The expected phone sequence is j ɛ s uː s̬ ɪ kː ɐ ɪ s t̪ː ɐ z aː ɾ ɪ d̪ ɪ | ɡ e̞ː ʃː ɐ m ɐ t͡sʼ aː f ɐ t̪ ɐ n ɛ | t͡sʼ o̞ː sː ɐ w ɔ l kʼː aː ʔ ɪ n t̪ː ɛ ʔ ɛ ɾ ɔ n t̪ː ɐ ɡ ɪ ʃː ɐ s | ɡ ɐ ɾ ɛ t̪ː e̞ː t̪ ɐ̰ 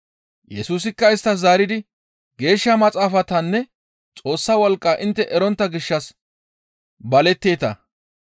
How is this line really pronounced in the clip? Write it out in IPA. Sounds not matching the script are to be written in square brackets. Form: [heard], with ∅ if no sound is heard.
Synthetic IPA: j ɛ s uː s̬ ɪ kː ɐ ɪ s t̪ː ɐ z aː ɾ ɪ d̪ ɪ | ɡ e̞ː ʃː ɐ m ɐ t͡sʼ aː f ɐ t̪ ɐ [nː] ɛ | t͡sʼ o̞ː sː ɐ w ɔ l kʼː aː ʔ ɪ n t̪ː ɛ ʔ ɛ ɾ ɔ n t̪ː ɐ ɡ ɪ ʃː ɐ s | [b] ɐ [l] ɛ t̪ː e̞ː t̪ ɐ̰